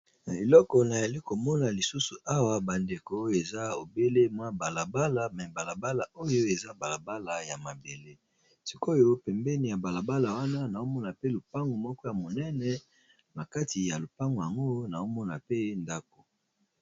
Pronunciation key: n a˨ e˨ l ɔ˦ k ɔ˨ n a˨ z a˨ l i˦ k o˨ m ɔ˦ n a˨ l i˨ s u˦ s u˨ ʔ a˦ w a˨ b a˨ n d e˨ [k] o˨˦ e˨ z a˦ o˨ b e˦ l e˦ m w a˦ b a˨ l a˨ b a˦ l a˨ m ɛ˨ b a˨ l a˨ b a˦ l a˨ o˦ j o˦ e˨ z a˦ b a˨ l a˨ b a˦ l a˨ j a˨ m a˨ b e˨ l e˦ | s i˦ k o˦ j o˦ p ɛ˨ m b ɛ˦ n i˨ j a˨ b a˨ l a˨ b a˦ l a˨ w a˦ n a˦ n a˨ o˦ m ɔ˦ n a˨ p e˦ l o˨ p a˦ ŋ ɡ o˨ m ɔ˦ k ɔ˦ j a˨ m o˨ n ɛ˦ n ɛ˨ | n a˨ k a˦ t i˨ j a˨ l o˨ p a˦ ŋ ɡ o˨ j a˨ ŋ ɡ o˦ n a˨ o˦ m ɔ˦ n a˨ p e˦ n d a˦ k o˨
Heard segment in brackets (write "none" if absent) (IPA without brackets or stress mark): k